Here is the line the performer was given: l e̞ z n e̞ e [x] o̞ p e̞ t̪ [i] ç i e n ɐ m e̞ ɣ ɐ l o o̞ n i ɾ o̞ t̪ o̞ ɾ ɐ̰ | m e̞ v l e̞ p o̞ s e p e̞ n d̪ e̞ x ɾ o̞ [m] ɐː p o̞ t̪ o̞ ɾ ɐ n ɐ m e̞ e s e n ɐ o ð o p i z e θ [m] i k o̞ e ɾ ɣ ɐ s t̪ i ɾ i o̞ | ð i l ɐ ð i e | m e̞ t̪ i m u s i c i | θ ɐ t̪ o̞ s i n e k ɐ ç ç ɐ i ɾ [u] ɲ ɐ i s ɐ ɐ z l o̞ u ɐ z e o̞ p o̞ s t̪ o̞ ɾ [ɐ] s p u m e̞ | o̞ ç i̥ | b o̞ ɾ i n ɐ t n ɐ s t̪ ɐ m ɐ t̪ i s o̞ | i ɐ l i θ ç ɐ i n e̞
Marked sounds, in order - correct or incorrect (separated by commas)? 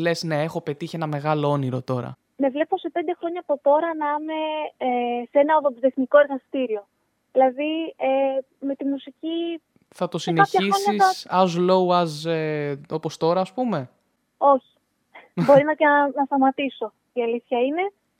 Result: correct, correct, incorrect, incorrect, incorrect, incorrect